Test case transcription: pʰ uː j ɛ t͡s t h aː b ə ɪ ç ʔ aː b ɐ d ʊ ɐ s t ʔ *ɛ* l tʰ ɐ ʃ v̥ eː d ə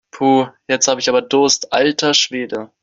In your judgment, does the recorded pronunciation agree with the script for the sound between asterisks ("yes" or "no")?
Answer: no